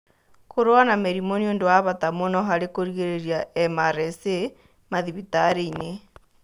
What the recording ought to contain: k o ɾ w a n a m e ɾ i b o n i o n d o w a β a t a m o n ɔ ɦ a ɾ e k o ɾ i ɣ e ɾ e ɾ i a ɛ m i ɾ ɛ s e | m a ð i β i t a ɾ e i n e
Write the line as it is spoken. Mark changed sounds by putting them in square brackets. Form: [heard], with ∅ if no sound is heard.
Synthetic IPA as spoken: k o ɾ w a n a m e ɾ i [m] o n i o n d o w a β a t a m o n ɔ ɦ a ɾ e k o ɾ i ɣ e ɾ e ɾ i a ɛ m [a] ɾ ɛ s e | m a ð i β i t a ɾ e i n e